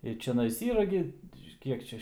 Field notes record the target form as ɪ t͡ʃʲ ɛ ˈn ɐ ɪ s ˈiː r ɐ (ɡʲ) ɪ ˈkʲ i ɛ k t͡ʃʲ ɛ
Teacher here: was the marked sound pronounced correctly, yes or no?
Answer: yes